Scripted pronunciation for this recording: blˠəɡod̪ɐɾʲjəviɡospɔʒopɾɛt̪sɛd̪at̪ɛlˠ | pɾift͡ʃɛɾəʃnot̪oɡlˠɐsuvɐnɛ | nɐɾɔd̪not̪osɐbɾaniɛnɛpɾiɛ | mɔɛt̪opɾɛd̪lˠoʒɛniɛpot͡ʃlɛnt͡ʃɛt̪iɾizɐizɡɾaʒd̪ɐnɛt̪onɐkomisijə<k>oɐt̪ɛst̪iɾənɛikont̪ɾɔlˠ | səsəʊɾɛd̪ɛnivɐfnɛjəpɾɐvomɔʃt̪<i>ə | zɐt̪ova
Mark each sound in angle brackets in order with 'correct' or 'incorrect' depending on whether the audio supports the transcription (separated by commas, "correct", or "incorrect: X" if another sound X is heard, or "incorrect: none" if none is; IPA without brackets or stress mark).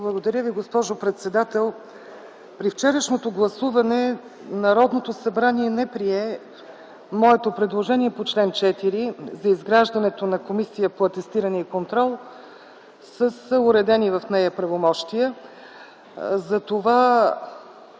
incorrect: p, correct